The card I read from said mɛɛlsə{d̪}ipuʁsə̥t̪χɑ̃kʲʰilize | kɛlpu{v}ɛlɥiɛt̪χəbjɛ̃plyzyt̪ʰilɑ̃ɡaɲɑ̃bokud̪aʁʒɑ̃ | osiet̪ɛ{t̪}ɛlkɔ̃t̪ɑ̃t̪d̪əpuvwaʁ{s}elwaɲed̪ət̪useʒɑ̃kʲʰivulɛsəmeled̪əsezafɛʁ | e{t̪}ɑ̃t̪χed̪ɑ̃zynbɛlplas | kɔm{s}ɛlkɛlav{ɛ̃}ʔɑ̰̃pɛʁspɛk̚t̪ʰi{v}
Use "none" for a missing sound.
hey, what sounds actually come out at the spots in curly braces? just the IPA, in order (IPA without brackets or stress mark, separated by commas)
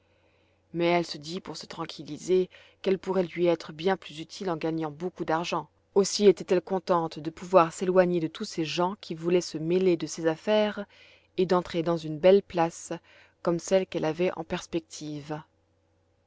d̪, ʁ, t̪, s, d̪, s, ɛ, v